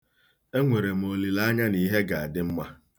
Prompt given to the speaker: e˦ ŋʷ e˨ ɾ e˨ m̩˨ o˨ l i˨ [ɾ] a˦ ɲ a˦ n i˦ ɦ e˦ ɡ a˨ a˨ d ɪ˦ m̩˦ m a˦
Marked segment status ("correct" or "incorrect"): incorrect